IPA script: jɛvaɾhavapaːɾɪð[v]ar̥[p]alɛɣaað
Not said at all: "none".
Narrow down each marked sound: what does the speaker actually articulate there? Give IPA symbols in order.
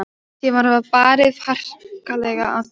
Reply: f, k

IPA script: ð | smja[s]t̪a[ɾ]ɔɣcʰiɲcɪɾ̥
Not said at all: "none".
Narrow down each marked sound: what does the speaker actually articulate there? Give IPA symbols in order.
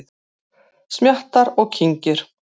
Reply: h, ɾ

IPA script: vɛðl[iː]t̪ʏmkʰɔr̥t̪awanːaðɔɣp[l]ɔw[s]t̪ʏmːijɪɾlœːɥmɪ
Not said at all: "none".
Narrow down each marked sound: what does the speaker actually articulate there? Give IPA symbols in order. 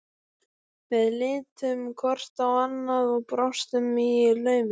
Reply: ɪː, ɾ, s

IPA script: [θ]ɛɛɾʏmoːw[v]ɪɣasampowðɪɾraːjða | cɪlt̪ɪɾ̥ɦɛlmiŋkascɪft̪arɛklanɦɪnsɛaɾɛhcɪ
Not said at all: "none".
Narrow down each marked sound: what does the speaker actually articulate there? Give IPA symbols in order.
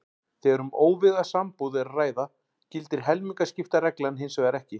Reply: θ, v

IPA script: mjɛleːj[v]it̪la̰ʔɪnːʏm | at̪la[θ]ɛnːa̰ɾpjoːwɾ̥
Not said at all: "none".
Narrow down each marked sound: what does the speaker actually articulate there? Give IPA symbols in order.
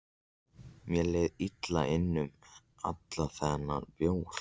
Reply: ð, θ

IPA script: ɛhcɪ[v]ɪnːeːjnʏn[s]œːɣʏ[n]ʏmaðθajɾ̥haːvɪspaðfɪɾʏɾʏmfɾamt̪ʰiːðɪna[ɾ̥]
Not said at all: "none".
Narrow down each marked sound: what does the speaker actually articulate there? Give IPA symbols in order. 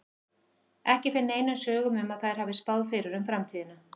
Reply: f, s, m, none

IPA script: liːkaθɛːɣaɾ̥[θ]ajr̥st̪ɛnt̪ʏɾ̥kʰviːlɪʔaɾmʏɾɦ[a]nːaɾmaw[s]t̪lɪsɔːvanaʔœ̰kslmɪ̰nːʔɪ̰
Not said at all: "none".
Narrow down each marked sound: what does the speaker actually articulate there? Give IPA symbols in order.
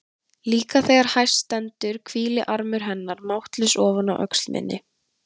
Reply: h, ɛ, h

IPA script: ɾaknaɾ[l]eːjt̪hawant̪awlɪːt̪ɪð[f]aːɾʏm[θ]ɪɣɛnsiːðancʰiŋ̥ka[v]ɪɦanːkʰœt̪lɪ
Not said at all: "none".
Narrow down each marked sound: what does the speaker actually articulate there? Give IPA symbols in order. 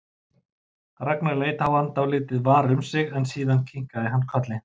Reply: l, v, s, ð

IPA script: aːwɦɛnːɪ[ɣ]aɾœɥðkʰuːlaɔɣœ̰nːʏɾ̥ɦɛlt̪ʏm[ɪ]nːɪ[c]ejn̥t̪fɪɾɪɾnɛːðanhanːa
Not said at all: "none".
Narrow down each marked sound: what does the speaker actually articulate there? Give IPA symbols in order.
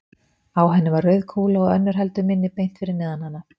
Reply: v, ɪ, p

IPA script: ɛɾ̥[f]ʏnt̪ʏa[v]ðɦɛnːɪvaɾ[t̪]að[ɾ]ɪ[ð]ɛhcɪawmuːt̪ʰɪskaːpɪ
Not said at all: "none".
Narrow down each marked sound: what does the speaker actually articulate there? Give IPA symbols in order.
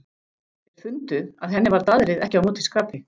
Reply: f, none, t̪, ɾ, ð

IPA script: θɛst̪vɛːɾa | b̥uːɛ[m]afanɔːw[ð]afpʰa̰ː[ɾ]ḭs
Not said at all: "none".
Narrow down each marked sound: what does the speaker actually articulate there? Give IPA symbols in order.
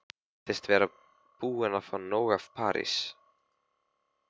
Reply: n, ɣ, ɾ

